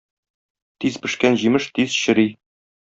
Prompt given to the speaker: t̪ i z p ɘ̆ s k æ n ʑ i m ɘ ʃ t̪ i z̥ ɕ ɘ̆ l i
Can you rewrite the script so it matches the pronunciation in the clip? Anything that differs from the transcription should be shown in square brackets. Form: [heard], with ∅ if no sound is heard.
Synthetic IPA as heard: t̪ i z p ɘ̆ [ʃ] k æ n ʑ i m ɘ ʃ t̪ i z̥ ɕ ɘ̆ [ɾ] i